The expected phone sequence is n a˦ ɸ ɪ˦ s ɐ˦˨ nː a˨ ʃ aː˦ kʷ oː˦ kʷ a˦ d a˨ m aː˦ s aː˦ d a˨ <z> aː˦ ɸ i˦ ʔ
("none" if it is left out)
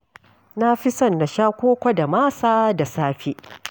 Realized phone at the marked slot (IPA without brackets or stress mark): s